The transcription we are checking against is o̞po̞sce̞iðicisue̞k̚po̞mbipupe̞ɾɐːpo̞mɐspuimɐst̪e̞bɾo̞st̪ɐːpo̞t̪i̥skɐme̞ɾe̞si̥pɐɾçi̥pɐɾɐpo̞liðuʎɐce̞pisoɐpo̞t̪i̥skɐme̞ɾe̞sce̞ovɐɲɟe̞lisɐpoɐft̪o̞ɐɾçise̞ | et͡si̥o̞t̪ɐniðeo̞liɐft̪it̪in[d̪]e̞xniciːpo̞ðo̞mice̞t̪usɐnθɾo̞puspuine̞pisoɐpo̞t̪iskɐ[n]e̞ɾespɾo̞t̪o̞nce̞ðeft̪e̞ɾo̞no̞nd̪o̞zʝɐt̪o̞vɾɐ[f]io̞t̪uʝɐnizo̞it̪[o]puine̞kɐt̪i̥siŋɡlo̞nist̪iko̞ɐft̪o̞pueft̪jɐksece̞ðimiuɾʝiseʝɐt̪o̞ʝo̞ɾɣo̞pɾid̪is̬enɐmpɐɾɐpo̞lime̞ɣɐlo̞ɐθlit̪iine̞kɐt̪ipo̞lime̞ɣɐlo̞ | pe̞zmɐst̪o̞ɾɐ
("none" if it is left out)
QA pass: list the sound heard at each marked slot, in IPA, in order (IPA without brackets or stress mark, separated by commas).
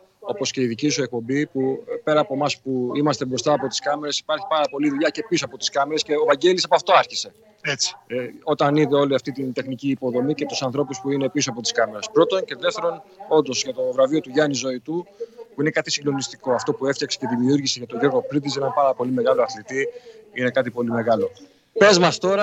t̪, m, v, u